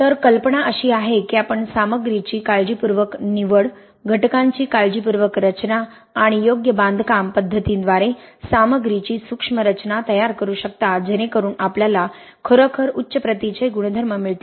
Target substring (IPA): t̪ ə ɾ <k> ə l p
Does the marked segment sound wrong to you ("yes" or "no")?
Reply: no